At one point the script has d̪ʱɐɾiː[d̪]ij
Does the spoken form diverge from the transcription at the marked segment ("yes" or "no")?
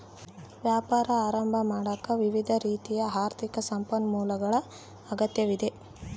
yes